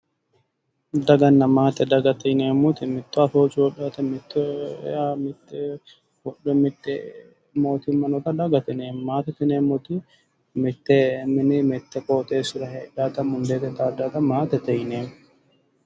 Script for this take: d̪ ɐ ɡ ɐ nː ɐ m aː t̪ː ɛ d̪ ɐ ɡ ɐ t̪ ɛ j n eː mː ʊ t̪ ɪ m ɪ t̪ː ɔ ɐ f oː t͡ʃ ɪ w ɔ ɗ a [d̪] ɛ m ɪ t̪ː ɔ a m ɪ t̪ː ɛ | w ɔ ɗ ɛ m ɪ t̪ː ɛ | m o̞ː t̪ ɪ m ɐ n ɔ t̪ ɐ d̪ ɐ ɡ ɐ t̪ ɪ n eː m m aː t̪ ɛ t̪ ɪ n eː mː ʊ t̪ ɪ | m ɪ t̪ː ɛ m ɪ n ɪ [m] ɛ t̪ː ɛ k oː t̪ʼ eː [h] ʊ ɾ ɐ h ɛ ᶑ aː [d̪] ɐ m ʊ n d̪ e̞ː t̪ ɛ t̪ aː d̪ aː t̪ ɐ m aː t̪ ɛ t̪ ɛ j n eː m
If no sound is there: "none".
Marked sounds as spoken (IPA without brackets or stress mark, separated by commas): t̪, m, s, t̪